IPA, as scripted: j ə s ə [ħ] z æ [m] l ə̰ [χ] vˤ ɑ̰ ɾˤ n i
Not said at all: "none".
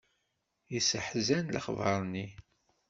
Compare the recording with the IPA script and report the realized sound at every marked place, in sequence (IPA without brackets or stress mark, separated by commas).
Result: ħ, n, χ